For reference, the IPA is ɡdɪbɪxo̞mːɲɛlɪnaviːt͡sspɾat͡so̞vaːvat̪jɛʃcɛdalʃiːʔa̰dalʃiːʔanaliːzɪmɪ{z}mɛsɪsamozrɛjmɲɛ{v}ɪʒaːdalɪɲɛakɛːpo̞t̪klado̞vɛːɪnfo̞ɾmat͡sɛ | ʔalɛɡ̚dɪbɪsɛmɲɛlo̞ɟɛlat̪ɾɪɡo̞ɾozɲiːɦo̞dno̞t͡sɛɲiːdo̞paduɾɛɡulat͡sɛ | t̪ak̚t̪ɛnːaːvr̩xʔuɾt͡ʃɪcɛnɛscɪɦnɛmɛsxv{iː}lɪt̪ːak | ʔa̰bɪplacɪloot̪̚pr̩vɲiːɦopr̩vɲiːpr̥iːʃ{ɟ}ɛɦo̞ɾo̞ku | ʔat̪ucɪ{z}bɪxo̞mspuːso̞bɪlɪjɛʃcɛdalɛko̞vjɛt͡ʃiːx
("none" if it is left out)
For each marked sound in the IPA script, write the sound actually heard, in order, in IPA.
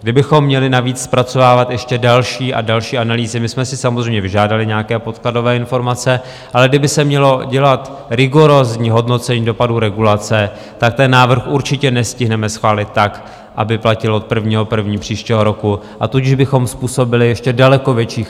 s, v, aː, c, ʒ

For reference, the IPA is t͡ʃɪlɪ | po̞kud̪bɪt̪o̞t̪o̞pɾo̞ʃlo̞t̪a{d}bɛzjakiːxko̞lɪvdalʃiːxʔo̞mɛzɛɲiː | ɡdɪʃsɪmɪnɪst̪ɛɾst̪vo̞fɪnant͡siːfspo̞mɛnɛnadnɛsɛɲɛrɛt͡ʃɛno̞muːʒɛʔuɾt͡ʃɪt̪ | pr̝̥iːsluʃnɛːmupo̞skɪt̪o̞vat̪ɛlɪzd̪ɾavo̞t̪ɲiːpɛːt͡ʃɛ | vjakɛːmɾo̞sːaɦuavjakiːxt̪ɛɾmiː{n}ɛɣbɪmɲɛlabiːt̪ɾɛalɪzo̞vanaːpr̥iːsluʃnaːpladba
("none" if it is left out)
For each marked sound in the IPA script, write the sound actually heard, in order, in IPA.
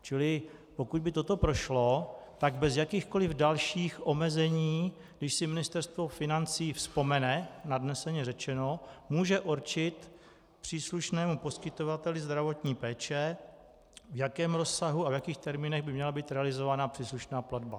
ɡ, n

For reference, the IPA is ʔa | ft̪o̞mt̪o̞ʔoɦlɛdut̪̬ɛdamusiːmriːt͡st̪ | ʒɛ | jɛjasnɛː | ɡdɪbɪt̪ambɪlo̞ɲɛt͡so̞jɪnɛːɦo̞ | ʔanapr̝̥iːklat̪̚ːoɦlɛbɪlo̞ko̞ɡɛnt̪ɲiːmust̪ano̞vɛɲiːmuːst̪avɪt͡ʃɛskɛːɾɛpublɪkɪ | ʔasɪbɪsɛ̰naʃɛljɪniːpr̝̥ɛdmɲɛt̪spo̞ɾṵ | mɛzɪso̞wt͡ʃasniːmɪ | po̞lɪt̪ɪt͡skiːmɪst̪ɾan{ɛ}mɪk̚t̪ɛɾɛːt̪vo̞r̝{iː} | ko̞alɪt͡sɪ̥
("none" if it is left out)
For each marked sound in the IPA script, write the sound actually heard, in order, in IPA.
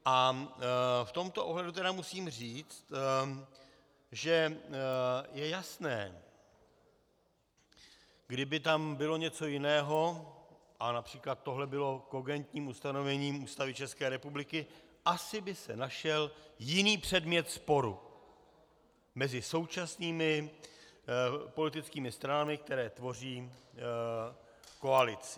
a, iː

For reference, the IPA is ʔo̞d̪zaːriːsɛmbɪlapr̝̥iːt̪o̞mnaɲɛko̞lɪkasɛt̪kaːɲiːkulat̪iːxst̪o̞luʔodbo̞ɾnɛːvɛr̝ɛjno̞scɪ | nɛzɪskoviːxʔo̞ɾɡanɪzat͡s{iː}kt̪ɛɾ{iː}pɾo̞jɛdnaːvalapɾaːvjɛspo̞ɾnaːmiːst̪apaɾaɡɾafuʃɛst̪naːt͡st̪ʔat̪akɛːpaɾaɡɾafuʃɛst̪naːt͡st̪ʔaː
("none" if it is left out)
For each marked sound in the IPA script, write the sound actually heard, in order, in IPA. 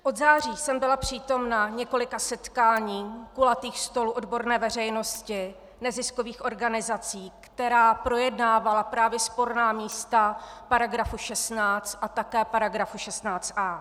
iː, aː

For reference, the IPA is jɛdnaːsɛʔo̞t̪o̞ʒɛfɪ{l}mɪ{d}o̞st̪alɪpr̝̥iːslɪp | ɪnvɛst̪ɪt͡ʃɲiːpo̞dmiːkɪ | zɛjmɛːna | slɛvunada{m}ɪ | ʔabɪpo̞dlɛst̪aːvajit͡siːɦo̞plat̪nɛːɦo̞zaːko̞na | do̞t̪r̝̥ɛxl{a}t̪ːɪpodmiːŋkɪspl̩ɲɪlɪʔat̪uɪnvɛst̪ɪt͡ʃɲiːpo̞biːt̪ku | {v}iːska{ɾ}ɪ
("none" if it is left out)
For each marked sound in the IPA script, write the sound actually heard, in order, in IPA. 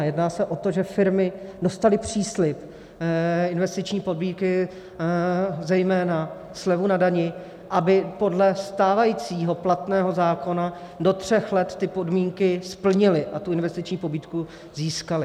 ɾ, d, ɲ, ɛ, z, l

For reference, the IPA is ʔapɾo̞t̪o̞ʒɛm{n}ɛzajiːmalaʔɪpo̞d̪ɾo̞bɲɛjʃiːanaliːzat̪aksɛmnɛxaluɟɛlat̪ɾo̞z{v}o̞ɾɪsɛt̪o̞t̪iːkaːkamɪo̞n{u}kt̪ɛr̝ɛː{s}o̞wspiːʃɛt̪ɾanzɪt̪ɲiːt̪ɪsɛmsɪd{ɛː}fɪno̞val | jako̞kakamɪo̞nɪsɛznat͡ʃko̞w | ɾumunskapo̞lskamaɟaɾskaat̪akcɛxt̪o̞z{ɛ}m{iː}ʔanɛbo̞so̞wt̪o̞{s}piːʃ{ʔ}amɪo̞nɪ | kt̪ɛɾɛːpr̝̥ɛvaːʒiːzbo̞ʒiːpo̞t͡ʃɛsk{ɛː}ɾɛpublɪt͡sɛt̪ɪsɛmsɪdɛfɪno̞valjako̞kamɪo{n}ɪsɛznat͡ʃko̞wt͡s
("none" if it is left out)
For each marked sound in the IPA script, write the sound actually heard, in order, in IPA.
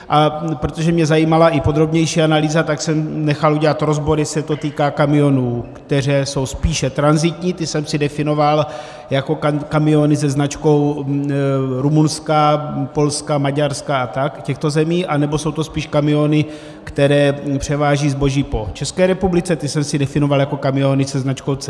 ɲ, b, uː, s, ɛ, ɛ, iː, s, k, ɛː, n

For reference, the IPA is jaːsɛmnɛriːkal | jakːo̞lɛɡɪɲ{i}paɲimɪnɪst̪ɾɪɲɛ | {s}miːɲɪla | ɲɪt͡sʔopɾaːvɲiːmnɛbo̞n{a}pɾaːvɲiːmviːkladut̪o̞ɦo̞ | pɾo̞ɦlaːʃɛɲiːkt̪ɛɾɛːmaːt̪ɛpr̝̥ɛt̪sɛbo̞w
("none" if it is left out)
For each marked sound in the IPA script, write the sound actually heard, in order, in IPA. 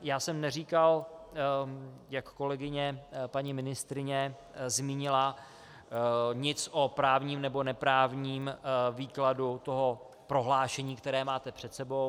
ɛ, z, ɛ

